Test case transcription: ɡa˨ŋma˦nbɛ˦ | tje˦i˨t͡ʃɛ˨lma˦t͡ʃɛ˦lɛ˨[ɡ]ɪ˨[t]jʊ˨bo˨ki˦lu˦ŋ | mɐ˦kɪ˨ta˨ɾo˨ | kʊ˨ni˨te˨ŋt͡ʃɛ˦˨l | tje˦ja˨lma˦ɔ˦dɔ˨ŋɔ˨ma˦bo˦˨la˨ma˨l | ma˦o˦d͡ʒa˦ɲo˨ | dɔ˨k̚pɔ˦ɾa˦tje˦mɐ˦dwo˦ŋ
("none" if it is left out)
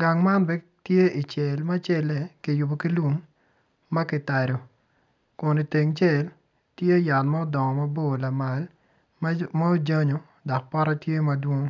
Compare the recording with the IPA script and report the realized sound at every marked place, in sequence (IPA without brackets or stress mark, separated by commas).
k, none